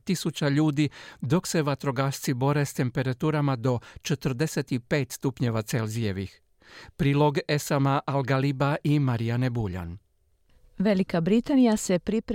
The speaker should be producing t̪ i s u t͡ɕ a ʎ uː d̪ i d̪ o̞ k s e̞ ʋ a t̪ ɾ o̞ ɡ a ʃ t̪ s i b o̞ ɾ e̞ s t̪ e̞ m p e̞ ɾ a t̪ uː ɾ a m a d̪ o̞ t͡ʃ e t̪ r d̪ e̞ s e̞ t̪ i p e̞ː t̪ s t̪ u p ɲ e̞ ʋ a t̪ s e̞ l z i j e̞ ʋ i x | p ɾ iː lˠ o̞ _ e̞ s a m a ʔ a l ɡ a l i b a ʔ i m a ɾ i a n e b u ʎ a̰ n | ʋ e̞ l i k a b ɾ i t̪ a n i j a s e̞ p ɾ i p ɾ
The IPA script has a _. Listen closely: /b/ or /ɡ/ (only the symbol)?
ɡ